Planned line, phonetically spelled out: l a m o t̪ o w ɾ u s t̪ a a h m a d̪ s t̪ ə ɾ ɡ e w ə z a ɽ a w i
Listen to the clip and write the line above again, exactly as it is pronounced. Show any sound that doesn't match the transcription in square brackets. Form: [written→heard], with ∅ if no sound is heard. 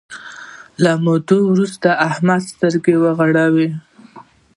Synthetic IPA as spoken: l a m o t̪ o w ɾ u s t̪ a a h m a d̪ s t̪ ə ɾ ɡ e w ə [z→ɣ] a ɽ a w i